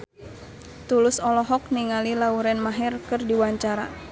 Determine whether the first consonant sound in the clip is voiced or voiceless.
voiceless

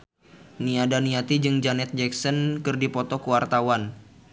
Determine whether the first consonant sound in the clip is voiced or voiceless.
voiced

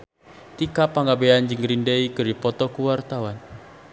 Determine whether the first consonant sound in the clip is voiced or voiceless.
voiceless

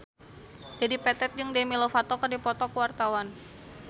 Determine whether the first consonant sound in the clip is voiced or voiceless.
voiced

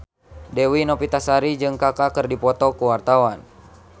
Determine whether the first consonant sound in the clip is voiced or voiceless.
voiced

